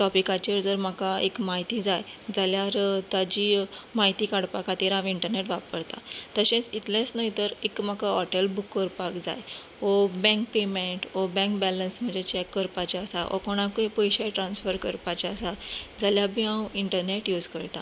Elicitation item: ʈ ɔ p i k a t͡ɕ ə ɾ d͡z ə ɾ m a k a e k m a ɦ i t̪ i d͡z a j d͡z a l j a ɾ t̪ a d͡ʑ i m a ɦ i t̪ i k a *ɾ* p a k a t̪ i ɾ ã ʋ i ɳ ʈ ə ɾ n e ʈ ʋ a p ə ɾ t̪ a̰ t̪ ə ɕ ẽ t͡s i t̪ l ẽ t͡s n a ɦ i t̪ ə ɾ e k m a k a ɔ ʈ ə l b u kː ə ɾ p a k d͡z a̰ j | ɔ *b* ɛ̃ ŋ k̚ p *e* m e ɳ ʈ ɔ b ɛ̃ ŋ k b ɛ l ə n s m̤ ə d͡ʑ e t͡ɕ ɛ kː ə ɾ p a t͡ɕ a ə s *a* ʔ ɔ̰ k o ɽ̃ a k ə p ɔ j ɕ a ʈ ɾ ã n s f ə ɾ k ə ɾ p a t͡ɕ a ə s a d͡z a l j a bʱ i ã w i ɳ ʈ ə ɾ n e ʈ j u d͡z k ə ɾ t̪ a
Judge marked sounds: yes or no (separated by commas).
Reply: no, yes, yes, yes